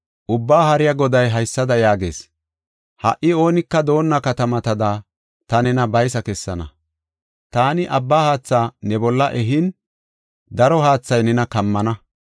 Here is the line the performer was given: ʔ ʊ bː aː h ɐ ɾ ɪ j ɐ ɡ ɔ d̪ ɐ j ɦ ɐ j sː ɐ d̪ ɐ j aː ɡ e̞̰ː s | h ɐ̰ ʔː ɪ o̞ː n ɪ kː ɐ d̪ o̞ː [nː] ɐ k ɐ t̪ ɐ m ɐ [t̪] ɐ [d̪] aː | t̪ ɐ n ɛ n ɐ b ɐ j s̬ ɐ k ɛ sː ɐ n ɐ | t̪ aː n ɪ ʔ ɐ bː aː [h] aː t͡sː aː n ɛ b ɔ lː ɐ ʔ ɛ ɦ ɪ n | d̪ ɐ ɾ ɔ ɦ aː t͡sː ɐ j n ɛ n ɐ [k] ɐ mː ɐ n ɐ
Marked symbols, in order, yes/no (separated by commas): yes, yes, yes, yes, yes